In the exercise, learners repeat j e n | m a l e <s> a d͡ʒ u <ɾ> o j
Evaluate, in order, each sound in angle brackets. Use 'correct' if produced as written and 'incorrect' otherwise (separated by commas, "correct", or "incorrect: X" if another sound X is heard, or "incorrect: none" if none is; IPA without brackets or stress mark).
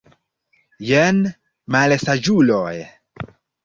correct, incorrect: l